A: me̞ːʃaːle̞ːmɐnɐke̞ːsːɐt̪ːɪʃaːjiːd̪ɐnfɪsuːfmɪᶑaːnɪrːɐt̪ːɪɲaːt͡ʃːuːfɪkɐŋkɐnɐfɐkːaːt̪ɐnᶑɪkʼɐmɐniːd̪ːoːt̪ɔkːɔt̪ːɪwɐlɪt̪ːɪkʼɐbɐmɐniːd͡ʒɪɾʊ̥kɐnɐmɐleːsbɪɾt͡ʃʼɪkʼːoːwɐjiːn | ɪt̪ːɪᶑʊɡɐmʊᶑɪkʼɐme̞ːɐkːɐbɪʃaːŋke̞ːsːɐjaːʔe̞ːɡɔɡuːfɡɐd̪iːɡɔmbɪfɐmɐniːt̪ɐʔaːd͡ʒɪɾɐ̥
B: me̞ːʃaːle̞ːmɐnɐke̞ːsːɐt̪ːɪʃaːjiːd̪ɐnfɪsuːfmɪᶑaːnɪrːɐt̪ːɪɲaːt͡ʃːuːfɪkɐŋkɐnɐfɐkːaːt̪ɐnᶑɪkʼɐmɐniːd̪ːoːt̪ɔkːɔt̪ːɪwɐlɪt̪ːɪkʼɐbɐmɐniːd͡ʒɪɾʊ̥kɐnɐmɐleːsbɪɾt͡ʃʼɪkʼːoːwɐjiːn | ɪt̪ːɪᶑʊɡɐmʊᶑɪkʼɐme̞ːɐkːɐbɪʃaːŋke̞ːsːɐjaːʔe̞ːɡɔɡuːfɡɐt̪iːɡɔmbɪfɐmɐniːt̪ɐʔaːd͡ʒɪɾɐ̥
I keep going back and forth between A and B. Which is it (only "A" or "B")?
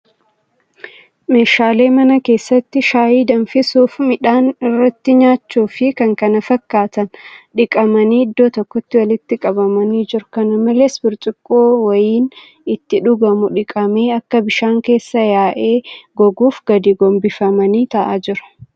A